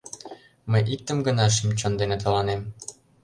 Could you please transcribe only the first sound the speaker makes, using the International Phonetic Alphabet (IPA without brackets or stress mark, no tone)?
m